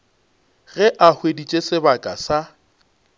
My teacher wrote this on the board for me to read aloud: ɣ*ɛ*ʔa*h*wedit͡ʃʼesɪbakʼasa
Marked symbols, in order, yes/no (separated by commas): yes, yes